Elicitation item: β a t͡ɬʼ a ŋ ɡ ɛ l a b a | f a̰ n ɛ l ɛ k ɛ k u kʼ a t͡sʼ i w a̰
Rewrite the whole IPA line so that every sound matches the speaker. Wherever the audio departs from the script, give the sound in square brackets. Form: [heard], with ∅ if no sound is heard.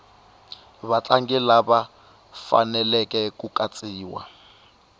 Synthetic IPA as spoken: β a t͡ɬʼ a ŋ ɡ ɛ l a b a | f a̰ n ɛ l ɛ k ɛ k u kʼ a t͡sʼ [iː] w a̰